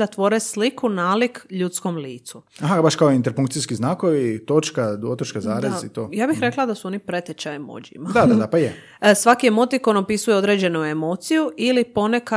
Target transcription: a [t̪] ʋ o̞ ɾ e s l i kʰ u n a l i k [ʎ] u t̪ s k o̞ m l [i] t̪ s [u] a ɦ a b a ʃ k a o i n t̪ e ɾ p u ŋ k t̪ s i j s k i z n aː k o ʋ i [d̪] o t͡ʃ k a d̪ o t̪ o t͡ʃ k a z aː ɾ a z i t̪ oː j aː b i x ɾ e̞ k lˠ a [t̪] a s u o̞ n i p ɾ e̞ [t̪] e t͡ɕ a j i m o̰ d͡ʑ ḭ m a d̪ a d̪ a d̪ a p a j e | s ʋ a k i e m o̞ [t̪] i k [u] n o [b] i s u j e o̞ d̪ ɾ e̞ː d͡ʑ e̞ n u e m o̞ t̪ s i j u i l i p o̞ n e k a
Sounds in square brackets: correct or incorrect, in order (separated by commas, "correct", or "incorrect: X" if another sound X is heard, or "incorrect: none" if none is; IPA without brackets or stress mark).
correct, correct, incorrect: iː, correct, incorrect: t̪, incorrect: d̪, correct, correct, incorrect: o, incorrect: p